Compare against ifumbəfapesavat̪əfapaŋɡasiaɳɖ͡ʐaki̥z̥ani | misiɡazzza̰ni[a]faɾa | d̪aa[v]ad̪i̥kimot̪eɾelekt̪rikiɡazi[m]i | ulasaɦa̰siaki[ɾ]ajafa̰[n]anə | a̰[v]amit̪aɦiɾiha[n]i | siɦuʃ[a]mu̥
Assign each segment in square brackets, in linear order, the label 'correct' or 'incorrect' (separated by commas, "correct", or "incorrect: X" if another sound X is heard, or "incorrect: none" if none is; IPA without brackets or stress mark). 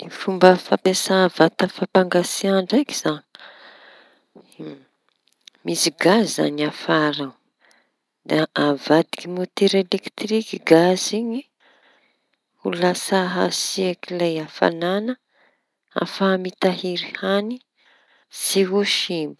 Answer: correct, correct, incorrect: ɲ, incorrect: l, correct, incorrect: f, correct, incorrect: i